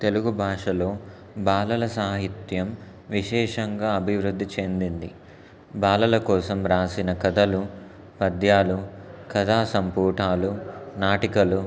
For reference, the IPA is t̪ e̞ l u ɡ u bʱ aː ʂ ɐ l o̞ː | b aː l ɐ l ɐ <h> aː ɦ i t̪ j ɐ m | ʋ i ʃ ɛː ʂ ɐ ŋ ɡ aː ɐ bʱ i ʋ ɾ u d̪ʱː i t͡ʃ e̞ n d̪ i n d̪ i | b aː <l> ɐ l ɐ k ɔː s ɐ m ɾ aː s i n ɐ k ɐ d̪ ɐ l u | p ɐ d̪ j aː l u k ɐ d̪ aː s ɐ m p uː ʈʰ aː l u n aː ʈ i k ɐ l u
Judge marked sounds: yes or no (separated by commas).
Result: no, yes